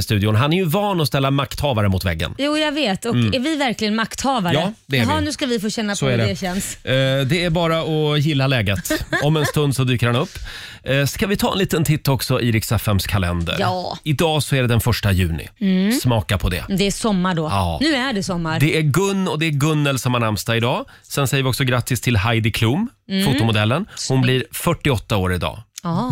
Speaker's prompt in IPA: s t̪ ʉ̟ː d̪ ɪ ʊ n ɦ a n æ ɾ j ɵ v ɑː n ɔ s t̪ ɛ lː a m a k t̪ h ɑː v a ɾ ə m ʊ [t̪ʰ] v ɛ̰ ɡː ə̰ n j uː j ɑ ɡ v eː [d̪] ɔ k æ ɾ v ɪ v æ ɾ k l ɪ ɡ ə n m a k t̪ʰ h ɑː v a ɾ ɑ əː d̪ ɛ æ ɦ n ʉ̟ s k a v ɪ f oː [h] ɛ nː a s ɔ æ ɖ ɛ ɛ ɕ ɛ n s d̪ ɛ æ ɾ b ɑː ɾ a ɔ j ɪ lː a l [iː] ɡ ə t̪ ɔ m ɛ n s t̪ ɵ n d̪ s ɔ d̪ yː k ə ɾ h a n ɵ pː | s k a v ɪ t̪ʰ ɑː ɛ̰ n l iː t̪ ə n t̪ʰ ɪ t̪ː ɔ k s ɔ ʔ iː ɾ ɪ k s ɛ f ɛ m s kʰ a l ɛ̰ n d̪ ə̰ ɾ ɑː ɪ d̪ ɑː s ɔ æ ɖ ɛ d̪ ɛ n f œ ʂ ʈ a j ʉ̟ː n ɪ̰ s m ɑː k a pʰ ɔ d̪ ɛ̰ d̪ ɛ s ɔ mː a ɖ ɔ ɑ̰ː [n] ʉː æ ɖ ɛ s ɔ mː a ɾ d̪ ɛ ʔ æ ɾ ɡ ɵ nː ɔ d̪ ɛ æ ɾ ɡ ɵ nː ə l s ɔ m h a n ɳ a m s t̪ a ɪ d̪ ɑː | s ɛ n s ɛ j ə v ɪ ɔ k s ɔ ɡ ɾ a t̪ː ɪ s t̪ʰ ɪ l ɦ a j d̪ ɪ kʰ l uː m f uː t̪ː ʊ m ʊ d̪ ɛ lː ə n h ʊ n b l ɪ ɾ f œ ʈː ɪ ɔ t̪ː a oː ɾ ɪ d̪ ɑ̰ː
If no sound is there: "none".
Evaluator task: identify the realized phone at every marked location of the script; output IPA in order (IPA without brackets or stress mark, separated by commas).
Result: t̪, t̪, ɕ, ɛː, n